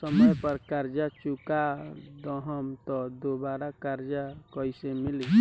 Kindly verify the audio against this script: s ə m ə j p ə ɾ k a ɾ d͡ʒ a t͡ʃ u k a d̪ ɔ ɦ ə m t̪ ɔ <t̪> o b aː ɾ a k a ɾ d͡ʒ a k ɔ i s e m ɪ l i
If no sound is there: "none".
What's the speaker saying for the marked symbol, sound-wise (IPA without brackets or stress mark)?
d̪